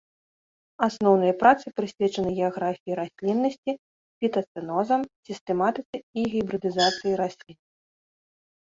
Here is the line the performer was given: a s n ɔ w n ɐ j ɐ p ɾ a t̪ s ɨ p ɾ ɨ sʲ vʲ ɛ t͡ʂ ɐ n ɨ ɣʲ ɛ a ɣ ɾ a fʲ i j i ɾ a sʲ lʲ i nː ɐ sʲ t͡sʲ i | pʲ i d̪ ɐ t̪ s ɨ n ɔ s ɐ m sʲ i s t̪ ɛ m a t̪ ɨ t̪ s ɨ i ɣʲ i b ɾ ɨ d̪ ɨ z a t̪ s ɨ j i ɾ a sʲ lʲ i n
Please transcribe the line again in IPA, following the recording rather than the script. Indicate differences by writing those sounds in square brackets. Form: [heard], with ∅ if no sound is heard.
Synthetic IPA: a s n ɔ w n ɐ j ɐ p ɾ a t̪ s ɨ p ɾ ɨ sʲ vʲ ɛ t͡ʂ ɐ n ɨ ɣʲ ɛ a ɣ ɾ a fʲ i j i ɾ a sʲ lʲ i nː ɐ sʲ t͡sʲ i | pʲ i [t̪] ɐ t̪ s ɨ n ɔ [z] ɐ m sʲ i s t̪ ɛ m a t̪ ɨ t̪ s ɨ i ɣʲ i b ɾ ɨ d̪ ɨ z a t̪ s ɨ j i ɾ a sʲ lʲ i n